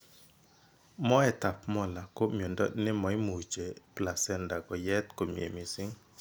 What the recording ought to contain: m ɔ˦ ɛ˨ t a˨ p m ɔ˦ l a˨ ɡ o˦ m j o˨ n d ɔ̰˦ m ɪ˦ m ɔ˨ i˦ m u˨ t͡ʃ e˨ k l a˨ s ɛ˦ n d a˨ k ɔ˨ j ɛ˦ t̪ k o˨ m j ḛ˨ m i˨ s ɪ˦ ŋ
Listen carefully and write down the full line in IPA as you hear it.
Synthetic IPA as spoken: m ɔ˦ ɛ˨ t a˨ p m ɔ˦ l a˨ k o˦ m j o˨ n d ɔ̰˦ n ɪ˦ m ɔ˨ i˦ m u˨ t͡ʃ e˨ p l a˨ s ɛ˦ n d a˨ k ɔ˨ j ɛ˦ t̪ k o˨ m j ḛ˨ m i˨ s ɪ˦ ŋ